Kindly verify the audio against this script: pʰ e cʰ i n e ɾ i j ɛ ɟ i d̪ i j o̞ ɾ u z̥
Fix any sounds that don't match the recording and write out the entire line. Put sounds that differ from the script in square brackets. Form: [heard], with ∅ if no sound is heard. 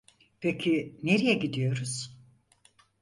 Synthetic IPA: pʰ e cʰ i n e ɾ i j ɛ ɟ i d̪ i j o̞ ɾ u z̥